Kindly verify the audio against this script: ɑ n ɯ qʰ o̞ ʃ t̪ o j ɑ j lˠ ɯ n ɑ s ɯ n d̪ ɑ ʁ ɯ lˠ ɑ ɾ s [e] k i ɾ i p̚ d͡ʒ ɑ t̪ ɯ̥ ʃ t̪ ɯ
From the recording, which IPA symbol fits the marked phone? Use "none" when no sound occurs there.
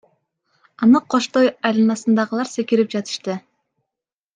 e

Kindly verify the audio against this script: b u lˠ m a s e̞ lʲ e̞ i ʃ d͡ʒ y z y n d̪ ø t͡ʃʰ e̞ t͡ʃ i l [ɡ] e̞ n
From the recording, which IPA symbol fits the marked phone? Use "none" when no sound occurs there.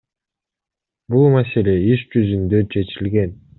ɡ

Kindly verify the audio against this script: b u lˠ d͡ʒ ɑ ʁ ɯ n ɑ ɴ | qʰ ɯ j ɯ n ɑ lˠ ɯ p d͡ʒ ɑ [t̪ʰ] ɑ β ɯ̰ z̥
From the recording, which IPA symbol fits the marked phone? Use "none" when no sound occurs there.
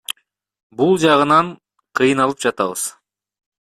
t̪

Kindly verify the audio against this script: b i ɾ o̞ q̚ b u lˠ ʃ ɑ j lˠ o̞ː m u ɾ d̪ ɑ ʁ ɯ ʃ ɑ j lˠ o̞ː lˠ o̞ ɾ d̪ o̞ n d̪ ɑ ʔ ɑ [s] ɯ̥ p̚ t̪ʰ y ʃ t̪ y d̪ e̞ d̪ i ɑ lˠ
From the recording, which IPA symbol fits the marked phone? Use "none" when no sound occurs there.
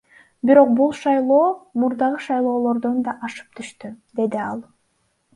ʃ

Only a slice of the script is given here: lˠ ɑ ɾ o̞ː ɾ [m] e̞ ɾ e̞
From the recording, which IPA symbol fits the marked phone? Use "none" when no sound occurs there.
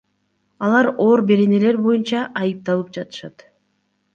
b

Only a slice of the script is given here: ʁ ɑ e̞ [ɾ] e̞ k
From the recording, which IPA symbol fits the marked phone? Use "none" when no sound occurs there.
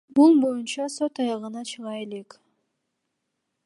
l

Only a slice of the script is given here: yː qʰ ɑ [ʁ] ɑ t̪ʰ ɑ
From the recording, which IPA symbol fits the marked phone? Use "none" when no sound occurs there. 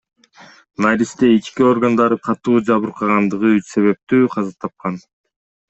z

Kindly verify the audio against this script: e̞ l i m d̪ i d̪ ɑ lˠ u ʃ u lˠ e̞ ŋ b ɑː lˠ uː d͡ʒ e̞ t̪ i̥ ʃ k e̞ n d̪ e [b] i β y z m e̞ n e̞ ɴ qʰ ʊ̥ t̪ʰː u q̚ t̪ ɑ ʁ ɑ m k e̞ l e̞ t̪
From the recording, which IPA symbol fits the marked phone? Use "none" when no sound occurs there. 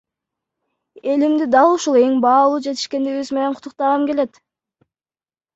ɡ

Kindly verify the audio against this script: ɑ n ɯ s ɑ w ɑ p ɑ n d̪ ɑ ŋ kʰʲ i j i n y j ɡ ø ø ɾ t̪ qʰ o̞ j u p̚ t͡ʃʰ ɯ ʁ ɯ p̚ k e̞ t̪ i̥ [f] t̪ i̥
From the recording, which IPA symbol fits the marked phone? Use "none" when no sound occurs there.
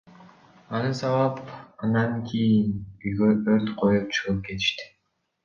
ʃ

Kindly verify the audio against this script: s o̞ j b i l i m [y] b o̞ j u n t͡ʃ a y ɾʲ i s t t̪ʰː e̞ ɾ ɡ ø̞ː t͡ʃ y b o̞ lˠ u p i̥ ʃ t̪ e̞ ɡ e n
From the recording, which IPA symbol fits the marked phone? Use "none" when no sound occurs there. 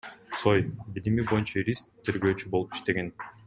i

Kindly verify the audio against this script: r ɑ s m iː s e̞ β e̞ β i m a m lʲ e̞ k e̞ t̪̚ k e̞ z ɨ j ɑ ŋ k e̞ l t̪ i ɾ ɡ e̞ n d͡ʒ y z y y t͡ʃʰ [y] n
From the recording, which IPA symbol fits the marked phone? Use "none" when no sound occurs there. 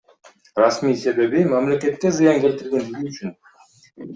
y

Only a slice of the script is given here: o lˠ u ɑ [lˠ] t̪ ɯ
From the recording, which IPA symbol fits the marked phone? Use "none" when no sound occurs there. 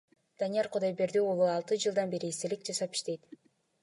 lˠ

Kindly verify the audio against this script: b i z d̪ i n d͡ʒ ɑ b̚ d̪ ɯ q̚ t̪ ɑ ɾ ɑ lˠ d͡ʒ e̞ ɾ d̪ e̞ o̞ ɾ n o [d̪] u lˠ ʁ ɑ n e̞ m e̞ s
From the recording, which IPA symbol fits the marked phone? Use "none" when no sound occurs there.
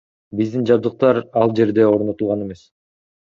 t̪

